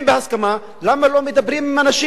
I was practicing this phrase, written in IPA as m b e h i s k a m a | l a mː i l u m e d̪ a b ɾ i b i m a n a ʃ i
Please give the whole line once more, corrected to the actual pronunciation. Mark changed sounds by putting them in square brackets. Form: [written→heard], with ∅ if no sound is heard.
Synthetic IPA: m b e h [i→a] s k a m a | l a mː [i→a] l [u→o] m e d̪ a b ɾ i [b→m] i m a n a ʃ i